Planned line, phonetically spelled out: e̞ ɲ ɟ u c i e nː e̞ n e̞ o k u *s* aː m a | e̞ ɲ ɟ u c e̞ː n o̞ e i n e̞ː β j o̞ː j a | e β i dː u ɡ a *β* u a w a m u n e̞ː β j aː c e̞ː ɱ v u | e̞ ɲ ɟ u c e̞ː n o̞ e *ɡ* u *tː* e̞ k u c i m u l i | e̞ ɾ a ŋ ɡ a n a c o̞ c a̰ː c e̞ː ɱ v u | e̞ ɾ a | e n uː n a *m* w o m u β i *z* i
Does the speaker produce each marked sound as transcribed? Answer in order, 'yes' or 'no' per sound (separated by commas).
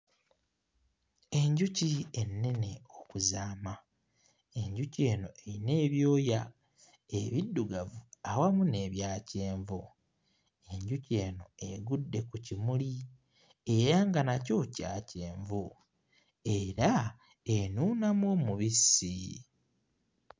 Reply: no, no, yes, no, yes, no